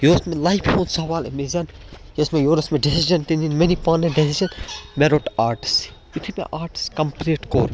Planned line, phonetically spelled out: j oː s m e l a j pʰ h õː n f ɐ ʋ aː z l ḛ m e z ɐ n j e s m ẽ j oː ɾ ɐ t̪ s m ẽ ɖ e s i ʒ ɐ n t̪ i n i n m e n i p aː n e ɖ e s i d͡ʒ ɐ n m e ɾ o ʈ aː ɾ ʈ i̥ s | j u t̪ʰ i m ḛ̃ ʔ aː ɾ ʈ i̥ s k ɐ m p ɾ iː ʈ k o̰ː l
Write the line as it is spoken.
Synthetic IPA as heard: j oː s m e l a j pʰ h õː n s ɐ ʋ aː l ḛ m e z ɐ n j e s m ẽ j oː ɾ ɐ s m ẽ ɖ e s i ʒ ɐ n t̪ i n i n m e n i p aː n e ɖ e s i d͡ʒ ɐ n m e ɾ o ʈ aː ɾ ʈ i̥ s | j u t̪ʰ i m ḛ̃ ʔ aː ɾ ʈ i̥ s k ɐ m p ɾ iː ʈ k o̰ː ɾ

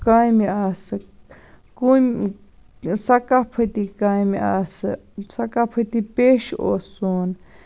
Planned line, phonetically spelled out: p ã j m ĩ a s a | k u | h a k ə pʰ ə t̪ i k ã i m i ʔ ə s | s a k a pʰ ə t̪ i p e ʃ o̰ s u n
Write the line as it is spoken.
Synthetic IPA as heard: k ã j m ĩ a s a | k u | s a k a pʰ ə t̪ i k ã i m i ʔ a s | s a k a pʰ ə t̪ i p e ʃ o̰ s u n

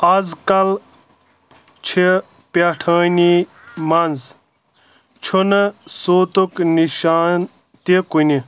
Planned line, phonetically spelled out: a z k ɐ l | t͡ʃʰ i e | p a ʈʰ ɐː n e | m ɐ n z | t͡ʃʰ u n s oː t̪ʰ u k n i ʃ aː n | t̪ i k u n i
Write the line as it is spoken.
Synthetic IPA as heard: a z k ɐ l | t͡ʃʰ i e | p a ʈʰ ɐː n i | m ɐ n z | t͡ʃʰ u n s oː t̪ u k n i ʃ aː n | t̪ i k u n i

